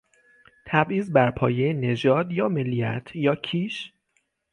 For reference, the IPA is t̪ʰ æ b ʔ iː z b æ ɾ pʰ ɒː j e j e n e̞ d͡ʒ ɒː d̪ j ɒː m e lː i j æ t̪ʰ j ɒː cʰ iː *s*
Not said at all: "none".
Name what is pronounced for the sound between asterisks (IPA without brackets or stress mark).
ʃ